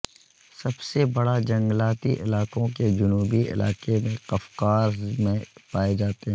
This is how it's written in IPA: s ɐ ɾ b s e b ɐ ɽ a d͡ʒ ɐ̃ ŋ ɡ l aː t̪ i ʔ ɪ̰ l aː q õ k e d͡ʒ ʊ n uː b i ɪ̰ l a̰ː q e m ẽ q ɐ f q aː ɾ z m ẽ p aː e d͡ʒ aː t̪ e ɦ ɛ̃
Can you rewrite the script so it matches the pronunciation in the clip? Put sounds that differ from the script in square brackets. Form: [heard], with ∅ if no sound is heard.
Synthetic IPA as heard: s ɐ [∅] b s e b ɐ ɽ a d͡ʒ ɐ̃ ŋ ɡ l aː t̪ i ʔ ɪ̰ l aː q õ k e d͡ʒ ʊ n uː b i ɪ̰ l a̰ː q e m ẽ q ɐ f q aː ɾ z m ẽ p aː e d͡ʒ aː t̪ e ɦ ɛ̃

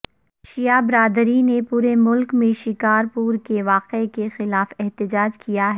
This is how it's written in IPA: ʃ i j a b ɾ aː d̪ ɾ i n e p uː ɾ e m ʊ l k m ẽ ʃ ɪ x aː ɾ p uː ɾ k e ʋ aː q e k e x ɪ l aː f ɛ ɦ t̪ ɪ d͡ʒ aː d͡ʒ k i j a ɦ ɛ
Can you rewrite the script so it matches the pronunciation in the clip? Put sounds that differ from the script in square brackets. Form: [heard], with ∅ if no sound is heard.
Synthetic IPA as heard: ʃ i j a b ɾ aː d̪ ɾ i n e p uː ɾ e m ʊ l k m ẽ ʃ ɪ [k] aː ɾ p uː ɾ k e ʋ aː q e k e x ɪ l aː f ɛ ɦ t̪ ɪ d͡ʒ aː d͡ʒ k i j a ɦ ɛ

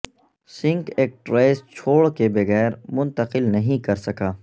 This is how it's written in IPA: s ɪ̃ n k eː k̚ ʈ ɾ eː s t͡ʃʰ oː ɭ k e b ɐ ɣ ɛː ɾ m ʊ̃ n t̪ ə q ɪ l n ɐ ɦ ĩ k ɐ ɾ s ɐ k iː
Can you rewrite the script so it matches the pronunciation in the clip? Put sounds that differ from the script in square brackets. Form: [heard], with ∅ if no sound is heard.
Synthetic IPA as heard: s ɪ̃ [ŋ] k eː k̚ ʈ ɾ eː s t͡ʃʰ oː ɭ k e b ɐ ɣ ɛː ɾ m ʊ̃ n t̪ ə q ɪ l n ɐ ɦ ĩ k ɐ ɾ s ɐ k [aː]

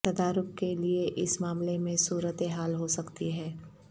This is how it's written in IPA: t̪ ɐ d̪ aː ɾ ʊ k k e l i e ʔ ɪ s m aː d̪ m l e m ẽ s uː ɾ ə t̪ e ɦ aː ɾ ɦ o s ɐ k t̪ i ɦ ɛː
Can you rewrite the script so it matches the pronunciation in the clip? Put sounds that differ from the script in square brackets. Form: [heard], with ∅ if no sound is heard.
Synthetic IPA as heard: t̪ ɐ d̪ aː ɾ ʊ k k e l i e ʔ ɪ s m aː [∅] m l e m ẽ s uː ɾ ə t̪ e ɦ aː [l] ɦ o s ɐ k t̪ i ɦ ɛː

